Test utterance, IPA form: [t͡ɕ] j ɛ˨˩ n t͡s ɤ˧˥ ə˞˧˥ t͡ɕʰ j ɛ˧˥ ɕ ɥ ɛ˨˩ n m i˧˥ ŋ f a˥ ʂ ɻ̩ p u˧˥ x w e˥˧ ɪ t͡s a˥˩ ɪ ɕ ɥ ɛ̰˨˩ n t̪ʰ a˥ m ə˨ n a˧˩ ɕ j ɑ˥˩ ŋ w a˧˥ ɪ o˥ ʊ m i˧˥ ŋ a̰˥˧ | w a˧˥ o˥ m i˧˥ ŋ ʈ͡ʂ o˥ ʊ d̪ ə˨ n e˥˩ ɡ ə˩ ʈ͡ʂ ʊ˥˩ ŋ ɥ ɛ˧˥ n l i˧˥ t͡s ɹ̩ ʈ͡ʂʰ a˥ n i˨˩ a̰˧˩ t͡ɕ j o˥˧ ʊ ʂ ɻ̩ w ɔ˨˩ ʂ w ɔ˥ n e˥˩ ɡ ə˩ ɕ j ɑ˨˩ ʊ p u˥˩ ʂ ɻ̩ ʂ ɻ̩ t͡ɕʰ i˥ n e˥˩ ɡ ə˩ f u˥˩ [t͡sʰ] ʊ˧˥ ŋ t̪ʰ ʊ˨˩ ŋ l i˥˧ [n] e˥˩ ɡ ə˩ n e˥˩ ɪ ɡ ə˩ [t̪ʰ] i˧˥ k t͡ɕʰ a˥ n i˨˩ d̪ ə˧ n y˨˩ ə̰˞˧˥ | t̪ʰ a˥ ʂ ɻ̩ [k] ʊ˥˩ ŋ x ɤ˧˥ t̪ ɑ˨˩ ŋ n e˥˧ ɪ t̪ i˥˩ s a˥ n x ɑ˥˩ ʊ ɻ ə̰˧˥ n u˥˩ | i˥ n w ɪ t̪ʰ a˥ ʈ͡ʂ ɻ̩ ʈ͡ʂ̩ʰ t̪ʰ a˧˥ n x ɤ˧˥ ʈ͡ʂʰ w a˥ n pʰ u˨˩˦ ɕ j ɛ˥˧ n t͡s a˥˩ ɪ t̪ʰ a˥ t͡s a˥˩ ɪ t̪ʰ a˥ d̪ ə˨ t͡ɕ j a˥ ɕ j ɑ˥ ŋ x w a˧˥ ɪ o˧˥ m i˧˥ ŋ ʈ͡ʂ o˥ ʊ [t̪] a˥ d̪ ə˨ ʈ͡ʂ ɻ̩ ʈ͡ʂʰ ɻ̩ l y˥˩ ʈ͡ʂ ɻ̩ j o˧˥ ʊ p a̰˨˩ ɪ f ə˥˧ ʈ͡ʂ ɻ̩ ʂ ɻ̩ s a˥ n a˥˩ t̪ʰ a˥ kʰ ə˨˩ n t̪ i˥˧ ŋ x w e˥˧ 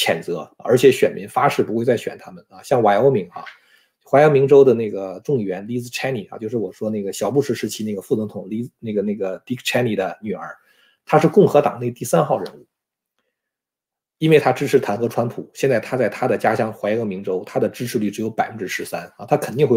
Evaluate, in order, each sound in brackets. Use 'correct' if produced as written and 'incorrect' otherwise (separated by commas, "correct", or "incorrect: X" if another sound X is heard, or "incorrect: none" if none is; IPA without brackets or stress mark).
incorrect: t͡ɕʰ, incorrect: t͡s, correct, incorrect: t̪, correct, incorrect: t̪ʰ